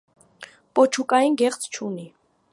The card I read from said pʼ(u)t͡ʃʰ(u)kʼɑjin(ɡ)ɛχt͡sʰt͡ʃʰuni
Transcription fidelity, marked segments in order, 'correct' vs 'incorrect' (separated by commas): incorrect, correct, correct